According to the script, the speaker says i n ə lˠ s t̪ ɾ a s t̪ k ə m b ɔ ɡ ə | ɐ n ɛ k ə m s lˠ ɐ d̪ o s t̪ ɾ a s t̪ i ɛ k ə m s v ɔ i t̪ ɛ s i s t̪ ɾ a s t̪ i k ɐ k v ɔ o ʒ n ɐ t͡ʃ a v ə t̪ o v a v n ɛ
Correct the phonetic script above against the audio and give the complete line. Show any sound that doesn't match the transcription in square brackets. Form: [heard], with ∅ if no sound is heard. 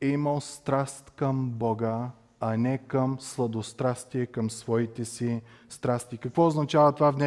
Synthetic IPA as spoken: i [m] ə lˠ s t̪ ɾ a s t̪ k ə m b ɔ ɡ ə | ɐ n ɛ k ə m s lˠ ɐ d̪ o s t̪ ɾ a s t̪ i ɛ k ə m s v ɔ i t̪ ɛ s i s t̪ ɾ a s t̪ i k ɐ k v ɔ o [z] n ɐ t͡ʃ a v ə t̪ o v a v n ɛ